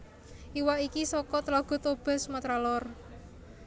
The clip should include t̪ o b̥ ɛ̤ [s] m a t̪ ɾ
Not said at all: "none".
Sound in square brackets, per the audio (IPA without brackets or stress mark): s